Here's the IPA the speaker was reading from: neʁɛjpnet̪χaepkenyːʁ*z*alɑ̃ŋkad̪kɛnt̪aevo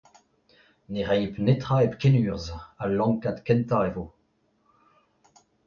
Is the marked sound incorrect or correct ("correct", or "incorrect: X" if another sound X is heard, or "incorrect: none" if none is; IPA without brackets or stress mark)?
correct